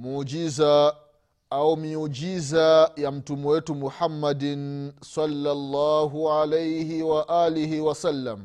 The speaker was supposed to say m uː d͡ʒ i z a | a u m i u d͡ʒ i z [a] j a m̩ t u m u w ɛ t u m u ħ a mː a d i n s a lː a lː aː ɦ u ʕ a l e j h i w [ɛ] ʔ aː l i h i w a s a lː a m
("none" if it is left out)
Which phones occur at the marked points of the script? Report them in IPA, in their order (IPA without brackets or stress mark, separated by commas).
a, a